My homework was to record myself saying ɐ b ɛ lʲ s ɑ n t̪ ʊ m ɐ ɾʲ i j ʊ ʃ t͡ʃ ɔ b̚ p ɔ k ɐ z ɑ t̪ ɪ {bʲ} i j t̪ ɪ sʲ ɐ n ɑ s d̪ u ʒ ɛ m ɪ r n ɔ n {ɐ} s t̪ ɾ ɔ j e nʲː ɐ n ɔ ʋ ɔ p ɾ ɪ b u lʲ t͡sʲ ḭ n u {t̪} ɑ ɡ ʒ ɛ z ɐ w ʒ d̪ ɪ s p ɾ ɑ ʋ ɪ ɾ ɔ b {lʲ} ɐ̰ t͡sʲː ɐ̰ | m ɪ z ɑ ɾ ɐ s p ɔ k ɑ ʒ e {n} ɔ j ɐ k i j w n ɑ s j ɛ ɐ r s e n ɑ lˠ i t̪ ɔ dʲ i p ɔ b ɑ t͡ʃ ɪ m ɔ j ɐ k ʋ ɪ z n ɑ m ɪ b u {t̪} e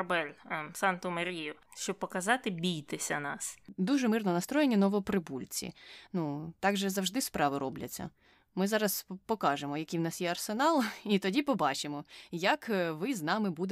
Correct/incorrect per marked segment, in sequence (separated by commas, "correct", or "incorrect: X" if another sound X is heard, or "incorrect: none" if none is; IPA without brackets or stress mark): correct, correct, correct, correct, incorrect: m, incorrect: d̪